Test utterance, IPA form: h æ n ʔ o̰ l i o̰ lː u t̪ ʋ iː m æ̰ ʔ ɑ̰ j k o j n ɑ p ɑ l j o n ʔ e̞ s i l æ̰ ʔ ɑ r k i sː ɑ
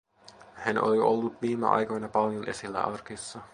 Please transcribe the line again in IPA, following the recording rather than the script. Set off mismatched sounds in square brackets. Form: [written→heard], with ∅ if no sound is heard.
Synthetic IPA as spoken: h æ n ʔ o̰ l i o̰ lː u t̪ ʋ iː m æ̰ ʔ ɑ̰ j k o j n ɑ p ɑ l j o n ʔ e̞ s i [l→lː] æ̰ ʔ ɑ r k i sː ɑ